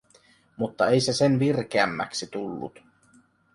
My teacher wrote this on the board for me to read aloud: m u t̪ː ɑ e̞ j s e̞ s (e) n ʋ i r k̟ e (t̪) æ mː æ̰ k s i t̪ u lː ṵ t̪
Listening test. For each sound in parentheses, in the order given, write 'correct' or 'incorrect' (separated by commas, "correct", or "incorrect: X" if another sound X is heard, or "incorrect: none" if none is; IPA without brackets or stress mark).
correct, incorrect: none